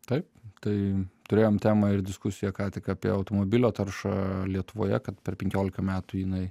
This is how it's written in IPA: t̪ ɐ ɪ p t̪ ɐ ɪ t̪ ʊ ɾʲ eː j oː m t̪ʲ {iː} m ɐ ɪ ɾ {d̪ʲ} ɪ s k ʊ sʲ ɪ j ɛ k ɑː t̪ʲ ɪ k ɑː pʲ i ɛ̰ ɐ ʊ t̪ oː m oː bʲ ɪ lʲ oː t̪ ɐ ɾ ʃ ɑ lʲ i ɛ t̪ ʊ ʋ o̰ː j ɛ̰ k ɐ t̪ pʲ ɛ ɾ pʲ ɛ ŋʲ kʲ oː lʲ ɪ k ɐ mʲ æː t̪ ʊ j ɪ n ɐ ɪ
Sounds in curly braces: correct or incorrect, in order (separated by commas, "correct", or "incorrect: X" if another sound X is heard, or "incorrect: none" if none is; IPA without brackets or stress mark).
incorrect: æː, correct